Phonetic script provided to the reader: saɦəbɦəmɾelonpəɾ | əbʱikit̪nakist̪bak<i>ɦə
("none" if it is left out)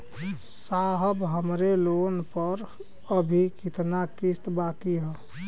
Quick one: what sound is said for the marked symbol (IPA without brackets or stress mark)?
i